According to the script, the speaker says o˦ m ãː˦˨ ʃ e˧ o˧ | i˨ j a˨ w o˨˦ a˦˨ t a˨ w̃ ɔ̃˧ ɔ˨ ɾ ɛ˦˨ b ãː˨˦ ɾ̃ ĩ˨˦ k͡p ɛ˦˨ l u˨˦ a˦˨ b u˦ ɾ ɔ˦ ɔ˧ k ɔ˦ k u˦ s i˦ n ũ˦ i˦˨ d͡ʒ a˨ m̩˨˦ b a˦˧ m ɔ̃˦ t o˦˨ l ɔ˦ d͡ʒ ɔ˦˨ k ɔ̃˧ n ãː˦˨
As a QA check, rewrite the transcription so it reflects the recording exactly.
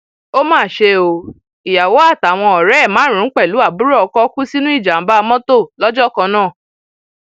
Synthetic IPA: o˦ m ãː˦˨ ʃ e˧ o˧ | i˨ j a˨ w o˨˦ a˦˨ t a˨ w̃ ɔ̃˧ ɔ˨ ɾ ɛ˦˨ m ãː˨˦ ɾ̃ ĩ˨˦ k͡p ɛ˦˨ l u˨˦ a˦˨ b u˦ ɾ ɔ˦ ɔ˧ k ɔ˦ k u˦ s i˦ n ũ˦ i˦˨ d͡ʒ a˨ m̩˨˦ b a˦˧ m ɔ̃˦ t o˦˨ l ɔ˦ d͡ʒ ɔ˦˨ k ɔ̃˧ n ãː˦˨

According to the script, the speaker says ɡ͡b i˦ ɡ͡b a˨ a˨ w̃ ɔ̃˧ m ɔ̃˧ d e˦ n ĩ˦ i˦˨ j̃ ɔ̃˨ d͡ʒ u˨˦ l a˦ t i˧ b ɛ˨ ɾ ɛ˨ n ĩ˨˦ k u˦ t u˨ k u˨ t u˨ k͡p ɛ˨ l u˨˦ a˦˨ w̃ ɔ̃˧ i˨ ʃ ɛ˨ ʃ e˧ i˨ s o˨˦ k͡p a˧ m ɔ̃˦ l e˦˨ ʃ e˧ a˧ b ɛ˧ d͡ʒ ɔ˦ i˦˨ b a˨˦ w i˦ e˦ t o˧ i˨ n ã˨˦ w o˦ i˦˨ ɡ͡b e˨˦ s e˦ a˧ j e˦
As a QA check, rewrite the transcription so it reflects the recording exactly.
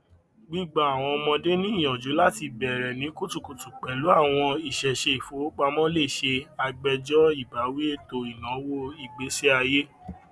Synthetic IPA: ɡ͡b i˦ ɡ͡b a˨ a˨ w̃ ɔ̃˧ m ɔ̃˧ d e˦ n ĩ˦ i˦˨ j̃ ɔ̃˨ d͡ʒ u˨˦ l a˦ t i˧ b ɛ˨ ɾ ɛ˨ n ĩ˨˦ k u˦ t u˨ k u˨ t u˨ k͡p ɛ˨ l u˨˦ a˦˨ w̃ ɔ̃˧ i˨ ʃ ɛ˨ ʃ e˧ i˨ f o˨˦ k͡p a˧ m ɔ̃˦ l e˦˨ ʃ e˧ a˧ ɡ͡b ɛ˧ d͡ʒ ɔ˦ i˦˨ b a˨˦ w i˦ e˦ t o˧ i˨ n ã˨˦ w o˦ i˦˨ ɡ͡b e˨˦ s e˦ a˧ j e˦

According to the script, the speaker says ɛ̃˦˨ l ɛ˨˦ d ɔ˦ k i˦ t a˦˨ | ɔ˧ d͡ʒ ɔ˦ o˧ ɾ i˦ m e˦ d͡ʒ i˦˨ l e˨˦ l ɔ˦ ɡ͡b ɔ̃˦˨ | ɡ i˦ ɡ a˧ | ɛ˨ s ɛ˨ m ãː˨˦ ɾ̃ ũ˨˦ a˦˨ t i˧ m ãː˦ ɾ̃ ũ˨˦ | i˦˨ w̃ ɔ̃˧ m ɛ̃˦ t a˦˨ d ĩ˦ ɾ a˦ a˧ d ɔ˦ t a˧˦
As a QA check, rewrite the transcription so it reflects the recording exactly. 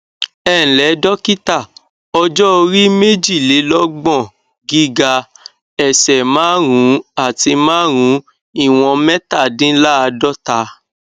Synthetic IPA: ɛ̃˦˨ l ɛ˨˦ d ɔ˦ k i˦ t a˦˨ | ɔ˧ d͡ʒ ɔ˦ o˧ ɾ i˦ m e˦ d͡ʒ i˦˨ l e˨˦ l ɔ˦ ɡ͡b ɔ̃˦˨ | ɡ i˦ ɡ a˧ | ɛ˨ s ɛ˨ m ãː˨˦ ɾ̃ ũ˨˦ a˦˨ t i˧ m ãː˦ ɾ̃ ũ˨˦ | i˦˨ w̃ ɔ̃˧ m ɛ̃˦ t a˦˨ d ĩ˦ l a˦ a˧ d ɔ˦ t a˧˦

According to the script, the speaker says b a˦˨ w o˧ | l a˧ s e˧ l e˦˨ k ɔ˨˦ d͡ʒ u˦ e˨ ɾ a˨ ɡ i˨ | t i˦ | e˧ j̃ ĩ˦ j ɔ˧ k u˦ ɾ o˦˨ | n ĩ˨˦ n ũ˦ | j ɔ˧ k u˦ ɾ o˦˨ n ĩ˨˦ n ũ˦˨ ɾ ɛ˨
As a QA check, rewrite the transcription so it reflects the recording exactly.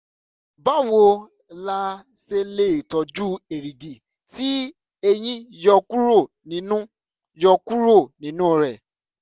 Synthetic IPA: b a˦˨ w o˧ | l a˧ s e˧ l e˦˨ t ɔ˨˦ d͡ʒ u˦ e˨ ɾ i˨ ɡ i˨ | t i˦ | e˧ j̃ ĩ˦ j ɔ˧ k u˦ ɾ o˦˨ | n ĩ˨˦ n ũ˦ | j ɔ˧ k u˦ ɾ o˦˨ n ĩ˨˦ n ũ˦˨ ɾ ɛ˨

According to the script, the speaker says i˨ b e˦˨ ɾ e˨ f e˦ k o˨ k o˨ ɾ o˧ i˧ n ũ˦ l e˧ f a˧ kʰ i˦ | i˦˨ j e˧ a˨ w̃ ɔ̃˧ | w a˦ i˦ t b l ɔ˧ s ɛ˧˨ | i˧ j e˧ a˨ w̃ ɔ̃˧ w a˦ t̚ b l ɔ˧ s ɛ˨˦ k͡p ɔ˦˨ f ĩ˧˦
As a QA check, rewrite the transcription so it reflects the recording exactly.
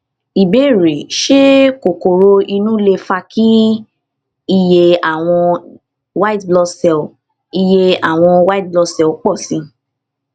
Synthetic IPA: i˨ b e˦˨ ɾ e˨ ʃ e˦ k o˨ k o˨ ɾ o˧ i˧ n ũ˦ l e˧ f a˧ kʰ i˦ | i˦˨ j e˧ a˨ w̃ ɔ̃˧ | w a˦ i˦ t b l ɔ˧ s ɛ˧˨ | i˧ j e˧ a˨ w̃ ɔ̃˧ w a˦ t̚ b l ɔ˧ s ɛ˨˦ k͡p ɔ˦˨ s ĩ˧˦

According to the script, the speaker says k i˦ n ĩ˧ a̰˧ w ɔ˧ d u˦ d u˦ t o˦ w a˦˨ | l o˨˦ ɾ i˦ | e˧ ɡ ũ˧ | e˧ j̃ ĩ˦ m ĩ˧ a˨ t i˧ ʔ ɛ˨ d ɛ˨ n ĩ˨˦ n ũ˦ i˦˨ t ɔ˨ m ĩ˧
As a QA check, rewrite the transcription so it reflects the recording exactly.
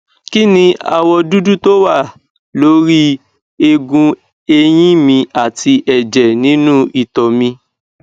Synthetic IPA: k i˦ n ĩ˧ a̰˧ w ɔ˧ d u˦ d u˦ t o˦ w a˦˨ | l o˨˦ ɾ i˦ | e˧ ɡ ũ˧ | e˧ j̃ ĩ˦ m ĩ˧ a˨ t i˧ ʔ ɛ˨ d͡ʒ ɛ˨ n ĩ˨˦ n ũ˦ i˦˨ t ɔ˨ m ĩ˧

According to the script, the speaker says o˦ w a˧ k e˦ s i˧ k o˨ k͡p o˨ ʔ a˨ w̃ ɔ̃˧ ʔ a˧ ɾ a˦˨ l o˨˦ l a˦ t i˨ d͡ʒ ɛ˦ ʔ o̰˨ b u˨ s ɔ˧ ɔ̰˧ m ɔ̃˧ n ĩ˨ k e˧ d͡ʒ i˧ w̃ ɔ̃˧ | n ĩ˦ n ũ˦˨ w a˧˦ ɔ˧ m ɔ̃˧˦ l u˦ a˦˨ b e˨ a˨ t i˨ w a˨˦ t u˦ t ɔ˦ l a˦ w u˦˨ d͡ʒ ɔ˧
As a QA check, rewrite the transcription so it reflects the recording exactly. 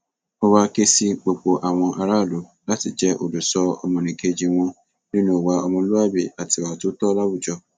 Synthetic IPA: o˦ w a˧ k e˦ s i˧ k͡p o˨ k͡p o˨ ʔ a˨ w̃ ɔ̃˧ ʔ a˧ ɾ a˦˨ l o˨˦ l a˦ t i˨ d͡ʒ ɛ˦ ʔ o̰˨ d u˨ s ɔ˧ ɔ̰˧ m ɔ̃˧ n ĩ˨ k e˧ d͡ʒ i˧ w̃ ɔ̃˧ | n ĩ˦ n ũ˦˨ w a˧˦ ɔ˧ m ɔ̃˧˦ l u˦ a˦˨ b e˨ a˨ t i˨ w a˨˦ t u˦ t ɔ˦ l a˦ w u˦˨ d͡ʒ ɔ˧

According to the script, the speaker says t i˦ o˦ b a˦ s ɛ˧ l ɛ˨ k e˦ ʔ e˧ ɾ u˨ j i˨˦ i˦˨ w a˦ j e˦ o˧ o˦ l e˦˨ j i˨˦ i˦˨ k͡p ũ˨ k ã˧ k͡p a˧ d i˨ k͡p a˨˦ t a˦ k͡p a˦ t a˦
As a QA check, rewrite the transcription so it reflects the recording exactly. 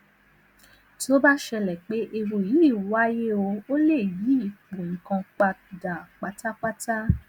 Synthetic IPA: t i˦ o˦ b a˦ ʃ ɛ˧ l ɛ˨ k͡p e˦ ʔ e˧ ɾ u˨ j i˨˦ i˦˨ w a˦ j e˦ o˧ o˦ l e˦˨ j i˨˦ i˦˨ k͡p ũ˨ k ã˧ k͡p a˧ d a˨ k͡p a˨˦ t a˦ k͡p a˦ t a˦

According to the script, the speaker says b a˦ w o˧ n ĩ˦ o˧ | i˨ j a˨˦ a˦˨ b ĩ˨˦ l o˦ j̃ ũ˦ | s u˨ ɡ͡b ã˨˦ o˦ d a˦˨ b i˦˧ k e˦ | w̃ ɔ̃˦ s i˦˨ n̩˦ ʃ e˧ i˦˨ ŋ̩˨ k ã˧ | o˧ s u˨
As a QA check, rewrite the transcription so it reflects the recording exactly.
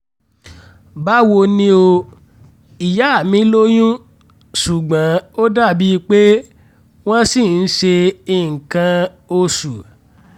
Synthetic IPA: b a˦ w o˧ n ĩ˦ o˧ | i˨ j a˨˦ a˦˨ m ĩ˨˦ l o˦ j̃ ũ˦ | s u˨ ɡ͡b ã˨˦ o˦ d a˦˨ b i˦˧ k͡p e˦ | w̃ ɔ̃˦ s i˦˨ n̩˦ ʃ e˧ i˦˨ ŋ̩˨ k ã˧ | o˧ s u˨

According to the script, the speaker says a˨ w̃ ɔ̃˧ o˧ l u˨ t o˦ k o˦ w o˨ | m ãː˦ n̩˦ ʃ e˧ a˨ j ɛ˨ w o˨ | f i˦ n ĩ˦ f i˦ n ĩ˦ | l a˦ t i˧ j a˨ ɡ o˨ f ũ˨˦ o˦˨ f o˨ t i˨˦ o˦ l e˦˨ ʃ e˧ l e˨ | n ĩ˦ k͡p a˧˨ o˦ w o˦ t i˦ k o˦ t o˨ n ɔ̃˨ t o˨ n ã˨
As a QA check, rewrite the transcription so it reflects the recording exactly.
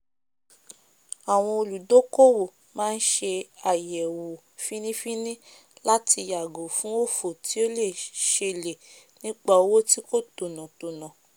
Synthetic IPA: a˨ w̃ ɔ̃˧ o˧ l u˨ d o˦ k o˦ w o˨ | m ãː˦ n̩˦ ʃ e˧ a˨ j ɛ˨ w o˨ | f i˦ n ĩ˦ f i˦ n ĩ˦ | l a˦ t i˧ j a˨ ɡ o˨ f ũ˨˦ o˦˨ f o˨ t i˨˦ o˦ l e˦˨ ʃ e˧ l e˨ | n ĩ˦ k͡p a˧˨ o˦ w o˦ t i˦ k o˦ t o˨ n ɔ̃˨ t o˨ n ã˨

